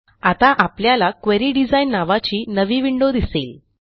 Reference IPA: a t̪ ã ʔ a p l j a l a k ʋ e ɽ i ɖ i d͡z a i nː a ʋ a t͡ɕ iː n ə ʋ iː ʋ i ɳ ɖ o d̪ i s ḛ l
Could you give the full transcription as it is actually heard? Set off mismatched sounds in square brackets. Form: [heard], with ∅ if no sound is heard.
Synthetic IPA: a t̪ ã ʔ a p l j a l a k ʋ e [ɾ] i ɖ i d͡z a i nː a ʋ a t͡ɕ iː n ə ʋ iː ʋ i ɳ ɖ o d̪ i s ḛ l